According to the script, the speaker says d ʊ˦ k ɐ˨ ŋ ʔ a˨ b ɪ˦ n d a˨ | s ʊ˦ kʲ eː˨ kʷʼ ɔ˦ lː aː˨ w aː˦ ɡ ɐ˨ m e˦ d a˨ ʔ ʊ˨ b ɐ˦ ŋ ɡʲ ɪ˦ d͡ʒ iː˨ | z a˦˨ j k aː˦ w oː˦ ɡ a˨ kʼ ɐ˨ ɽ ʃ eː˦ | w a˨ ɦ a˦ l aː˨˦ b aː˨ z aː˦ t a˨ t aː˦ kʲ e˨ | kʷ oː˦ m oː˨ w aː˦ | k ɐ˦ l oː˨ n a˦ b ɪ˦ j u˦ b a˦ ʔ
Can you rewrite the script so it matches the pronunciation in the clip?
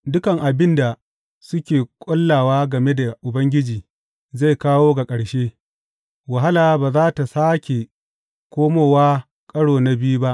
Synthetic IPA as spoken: d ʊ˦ k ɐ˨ ŋ ʔ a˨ b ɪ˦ n d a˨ | s ʊ˦ kʲ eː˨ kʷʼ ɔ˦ lː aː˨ w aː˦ ɡ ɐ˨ m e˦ d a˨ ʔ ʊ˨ b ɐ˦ ŋ ɡʲ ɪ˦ d͡ʒ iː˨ | z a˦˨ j k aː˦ w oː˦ ɡ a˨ kʼ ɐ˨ ɽ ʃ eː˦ | w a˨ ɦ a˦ l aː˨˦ b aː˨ z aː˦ t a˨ s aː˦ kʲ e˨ | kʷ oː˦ m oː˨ w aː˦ | kʼ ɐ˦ ɽ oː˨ n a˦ b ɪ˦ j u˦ b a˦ ʔ